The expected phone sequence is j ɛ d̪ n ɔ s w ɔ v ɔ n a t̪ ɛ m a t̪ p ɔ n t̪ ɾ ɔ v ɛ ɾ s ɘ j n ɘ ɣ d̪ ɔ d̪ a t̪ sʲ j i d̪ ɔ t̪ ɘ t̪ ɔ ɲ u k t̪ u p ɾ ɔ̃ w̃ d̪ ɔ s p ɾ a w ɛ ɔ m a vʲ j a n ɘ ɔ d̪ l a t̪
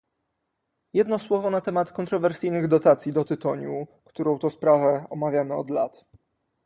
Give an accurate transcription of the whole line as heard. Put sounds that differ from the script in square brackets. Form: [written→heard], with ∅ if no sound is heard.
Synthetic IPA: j ɛ d̪ n ɔ s w ɔ v ɔ n a t̪ ɛ m a t̪ [p→k] ɔ n t̪ ɾ ɔ v ɛ ɾ s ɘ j n ɘ ɣ d̪ ɔ [d̪→t̪] a t̪ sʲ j i d̪ ɔ t̪ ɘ t̪ ɔ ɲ u k t̪ u [p→∅] ɾ ɔ̃ w̃ [d̪→t̪] ɔ s p ɾ a [w→v] ɛ ɔ m a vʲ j a [n→m] ɘ ɔ d̪ l a t̪